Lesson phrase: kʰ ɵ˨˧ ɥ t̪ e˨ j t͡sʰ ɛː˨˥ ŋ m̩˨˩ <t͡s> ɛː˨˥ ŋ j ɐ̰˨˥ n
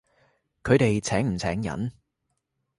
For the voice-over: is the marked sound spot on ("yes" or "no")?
no